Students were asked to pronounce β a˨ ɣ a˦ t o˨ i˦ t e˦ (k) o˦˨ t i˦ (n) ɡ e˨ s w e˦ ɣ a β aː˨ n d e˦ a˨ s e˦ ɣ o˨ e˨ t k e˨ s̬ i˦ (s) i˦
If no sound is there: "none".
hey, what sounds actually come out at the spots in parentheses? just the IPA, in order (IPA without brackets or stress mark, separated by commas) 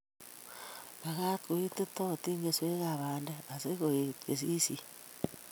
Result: t, ŋ, s